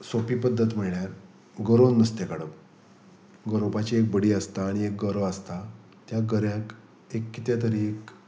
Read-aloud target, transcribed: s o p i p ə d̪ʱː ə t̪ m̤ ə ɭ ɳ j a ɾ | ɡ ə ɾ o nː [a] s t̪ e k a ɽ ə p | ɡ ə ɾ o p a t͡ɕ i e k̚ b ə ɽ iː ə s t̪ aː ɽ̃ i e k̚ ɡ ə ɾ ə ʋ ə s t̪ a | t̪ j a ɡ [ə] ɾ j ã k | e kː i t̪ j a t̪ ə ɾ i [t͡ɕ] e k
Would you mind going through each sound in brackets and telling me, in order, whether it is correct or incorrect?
incorrect, correct, incorrect

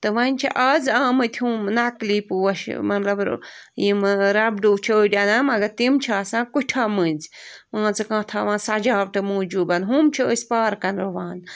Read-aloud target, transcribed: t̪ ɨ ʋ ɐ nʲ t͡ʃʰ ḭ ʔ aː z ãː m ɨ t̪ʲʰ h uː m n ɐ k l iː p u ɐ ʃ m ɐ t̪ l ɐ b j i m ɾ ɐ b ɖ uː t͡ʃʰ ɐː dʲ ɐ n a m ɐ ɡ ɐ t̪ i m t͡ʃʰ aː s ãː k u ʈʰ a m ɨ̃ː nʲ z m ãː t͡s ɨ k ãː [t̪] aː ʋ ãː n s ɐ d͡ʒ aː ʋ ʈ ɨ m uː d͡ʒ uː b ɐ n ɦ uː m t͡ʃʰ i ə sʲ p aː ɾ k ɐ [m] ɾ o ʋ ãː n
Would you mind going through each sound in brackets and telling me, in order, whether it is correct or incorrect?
incorrect, incorrect

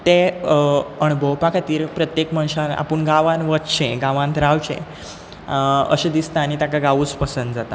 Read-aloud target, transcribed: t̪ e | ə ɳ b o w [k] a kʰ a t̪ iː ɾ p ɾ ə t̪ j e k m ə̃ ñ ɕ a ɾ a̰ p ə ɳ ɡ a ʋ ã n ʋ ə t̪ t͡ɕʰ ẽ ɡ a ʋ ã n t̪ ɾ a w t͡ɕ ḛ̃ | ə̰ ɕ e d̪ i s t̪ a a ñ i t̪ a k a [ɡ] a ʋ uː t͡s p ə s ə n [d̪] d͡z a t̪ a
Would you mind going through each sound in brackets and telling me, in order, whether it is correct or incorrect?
incorrect, correct, correct

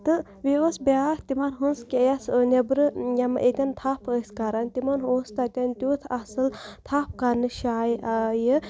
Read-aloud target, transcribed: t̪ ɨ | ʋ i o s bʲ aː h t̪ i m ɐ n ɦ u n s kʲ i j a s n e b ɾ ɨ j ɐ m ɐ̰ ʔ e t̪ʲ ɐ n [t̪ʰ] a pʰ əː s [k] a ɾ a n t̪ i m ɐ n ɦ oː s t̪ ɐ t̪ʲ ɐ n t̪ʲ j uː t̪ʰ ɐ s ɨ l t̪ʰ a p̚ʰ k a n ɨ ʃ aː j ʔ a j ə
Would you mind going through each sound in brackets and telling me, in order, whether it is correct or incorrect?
correct, correct

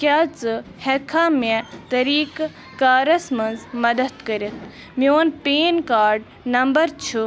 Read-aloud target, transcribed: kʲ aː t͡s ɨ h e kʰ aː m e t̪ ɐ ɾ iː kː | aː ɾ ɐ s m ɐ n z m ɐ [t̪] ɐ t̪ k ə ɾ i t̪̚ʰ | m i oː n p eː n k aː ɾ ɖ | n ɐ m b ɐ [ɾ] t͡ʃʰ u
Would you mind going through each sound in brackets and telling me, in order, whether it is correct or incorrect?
incorrect, correct

